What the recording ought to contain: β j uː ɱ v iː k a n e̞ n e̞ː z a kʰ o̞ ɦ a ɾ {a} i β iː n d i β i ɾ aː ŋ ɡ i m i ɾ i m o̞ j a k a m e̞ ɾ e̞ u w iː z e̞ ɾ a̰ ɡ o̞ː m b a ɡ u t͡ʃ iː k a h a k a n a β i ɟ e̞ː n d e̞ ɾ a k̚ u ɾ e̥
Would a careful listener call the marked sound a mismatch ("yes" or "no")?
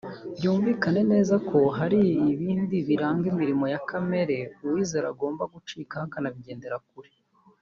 yes